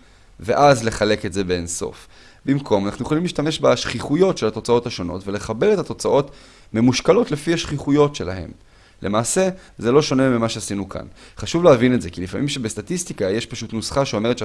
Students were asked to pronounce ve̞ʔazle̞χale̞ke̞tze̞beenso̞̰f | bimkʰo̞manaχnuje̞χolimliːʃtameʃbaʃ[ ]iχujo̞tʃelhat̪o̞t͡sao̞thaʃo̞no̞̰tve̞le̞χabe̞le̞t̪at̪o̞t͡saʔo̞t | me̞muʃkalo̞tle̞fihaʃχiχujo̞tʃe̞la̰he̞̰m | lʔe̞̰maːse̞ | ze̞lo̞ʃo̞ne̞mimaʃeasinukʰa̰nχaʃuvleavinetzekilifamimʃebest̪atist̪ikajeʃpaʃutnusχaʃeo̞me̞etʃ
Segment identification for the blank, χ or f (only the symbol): χ